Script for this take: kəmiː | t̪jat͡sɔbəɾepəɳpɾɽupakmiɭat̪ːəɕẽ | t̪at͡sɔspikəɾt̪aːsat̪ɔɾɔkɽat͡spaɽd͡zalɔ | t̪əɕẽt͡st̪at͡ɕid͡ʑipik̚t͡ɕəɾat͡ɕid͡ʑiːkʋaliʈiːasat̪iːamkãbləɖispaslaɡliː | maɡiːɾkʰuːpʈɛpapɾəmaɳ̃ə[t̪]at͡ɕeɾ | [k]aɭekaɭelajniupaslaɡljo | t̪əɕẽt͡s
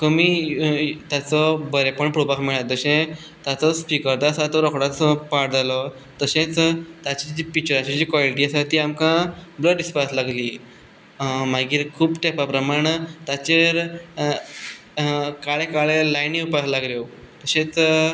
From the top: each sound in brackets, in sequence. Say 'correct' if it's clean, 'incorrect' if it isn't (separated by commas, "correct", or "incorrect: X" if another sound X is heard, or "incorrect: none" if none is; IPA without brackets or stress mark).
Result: correct, correct